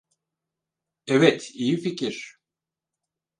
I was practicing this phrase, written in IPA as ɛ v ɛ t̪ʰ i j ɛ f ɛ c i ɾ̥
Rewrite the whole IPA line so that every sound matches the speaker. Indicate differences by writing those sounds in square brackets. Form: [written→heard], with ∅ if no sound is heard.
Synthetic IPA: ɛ v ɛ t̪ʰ i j [ɛ→i] f [ɛ→i] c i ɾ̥